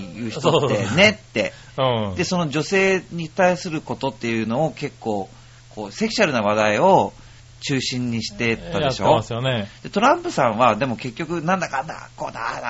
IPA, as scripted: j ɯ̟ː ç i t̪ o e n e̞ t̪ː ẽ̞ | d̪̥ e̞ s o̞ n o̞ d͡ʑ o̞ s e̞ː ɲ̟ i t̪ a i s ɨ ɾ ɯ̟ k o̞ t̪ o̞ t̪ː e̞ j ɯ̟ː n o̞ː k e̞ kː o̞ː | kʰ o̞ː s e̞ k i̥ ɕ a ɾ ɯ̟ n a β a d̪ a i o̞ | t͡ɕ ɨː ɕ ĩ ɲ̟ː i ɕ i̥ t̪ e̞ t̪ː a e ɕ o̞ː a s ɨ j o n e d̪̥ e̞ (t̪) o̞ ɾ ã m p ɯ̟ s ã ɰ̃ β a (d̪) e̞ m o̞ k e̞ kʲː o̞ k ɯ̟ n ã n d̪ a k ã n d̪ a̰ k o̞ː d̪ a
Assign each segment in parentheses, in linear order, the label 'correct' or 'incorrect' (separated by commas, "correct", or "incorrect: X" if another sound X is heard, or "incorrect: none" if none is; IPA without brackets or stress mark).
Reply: correct, correct